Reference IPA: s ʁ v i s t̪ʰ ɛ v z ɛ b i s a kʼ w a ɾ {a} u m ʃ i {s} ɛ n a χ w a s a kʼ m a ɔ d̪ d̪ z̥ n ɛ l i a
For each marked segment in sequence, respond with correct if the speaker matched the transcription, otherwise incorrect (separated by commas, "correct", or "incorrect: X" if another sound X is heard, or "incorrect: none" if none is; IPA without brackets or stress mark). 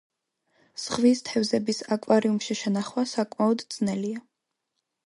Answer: incorrect: i, incorrect: ʃ